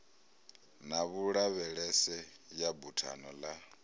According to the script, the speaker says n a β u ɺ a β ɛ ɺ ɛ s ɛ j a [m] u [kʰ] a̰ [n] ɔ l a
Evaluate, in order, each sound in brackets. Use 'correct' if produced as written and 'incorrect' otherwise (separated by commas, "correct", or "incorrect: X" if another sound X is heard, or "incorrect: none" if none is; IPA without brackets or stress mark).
incorrect: b, incorrect: tʰ, correct